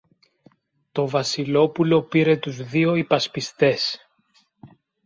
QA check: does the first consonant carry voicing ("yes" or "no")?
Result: no